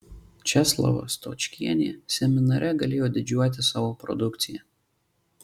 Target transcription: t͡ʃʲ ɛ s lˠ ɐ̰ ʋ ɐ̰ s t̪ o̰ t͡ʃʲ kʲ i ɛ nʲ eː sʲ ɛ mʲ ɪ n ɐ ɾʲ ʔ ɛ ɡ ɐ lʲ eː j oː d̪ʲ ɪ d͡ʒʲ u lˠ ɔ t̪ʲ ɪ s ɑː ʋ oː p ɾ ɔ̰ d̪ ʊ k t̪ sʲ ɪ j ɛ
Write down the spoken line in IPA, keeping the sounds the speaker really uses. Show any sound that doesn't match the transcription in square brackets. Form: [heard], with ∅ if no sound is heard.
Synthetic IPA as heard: t͡ʃʲ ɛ s lˠ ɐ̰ ʋ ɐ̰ s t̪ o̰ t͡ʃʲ kʲ i ɛ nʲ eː sʲ ɛ mʲ ɪ n ɐ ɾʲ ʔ ɛ ɡ ɐ lʲ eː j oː d̪ʲ ɪ d͡ʒʲ u [∅] ɔ t̪ʲ ɪ s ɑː ʋ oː p ɾ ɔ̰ d̪ ʊ k t̪ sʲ ɪ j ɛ